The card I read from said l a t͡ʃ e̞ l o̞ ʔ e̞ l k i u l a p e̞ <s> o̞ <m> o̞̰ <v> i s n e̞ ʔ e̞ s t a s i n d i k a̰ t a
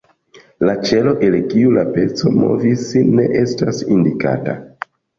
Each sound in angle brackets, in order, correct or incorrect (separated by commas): incorrect, correct, correct